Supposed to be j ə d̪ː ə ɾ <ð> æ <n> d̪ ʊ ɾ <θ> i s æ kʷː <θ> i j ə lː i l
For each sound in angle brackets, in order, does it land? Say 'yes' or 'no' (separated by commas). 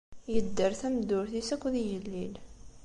no, no, yes, no